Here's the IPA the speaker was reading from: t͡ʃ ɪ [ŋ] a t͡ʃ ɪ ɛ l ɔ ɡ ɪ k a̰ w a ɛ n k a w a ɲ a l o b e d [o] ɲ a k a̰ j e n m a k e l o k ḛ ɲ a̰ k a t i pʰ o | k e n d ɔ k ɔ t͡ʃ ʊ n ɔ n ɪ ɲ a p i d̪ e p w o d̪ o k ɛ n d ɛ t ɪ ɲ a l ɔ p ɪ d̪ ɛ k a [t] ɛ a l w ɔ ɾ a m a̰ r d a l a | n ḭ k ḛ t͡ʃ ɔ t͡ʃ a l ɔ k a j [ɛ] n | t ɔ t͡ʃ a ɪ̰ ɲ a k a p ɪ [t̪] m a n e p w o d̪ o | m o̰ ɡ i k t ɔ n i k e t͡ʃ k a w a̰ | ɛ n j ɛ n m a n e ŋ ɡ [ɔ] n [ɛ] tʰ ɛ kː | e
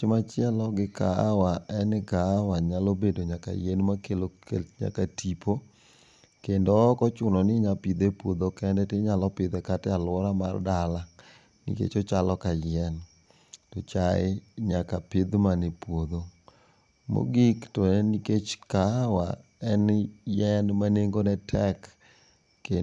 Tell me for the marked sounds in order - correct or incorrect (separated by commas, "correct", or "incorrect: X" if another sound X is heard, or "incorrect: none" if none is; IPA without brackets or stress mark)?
incorrect: m, correct, correct, correct, incorrect: d̪, incorrect: o, correct